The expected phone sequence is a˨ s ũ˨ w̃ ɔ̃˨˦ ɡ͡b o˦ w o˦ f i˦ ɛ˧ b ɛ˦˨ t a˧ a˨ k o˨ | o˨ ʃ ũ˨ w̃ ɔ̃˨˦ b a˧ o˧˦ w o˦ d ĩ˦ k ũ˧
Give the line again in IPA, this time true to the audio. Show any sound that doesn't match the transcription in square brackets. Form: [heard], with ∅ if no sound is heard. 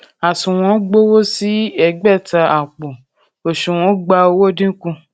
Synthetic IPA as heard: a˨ s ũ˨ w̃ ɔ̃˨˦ ɡ͡b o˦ w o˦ [s] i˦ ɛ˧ [ɡ͡b] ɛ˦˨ t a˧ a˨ [k͡p] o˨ | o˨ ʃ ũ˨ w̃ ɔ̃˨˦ [ɡ͡b] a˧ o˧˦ w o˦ d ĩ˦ k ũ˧